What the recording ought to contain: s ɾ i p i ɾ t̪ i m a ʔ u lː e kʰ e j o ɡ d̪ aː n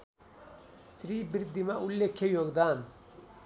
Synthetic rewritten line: s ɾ i b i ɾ d̪ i m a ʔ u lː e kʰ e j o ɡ d̪ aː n